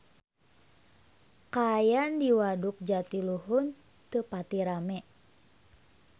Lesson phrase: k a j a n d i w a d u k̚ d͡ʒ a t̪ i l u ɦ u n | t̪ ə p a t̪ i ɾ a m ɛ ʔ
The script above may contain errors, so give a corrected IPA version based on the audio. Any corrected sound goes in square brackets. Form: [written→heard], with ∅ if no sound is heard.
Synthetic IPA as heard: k a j a n d i w a d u k̚ d͡ʒ a t̪ i l u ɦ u n | t̪ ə p a t̪ i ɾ a m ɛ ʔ